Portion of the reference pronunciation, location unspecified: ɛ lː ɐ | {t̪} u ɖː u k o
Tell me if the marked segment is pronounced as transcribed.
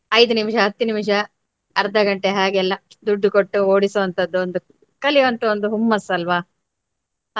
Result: no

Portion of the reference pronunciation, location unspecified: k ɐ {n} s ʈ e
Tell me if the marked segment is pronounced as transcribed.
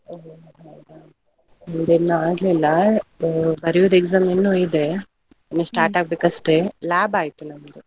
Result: no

